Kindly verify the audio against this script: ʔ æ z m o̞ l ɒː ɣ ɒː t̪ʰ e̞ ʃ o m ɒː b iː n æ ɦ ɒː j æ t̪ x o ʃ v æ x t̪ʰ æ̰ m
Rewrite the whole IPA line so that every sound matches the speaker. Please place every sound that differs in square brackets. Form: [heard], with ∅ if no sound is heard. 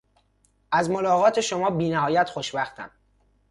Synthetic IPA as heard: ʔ æ z m o̞ l ɒː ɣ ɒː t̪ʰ e̞ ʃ o m ɒː b iː n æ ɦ ɒː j æ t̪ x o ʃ [b] æ x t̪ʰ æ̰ m